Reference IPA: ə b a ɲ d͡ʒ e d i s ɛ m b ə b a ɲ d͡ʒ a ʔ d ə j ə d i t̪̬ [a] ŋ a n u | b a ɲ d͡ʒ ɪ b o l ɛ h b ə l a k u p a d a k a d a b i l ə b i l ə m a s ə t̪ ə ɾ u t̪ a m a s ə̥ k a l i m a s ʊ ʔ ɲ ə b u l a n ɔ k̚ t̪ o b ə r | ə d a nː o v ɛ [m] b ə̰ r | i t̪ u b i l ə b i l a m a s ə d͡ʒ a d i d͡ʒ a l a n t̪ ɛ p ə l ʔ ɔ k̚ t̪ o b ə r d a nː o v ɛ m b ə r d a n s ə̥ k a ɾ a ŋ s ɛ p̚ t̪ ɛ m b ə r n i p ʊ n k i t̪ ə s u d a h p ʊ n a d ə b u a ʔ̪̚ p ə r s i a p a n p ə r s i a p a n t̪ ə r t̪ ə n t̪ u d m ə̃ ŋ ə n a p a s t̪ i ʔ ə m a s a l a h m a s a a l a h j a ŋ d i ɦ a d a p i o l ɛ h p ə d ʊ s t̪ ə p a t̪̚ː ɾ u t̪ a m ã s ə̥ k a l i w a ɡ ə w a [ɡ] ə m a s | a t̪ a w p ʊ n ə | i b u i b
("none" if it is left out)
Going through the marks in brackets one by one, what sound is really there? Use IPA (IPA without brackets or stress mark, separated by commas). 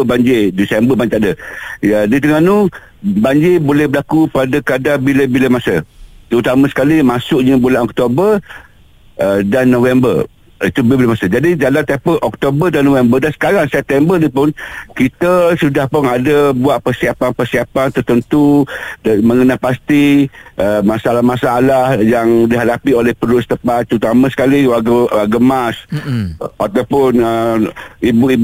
ə, m, ɡ